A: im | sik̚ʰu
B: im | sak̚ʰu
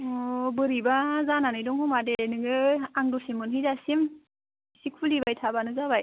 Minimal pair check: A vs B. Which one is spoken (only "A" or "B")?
A